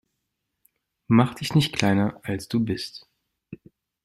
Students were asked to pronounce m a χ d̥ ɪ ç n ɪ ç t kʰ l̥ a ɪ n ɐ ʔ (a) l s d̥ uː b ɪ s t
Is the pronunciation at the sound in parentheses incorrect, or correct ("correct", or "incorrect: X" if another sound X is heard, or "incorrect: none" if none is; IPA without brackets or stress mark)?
correct